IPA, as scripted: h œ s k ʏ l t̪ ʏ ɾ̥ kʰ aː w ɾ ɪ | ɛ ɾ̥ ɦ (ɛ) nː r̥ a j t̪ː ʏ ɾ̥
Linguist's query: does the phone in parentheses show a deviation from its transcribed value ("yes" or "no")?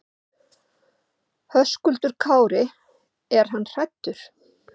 yes